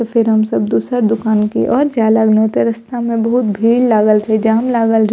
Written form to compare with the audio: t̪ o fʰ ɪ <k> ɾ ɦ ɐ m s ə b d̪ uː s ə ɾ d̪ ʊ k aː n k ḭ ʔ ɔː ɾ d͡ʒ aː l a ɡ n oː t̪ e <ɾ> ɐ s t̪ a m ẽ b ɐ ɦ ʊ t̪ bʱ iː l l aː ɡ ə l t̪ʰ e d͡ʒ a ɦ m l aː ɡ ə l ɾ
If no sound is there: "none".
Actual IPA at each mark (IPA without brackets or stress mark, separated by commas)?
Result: none, ɾ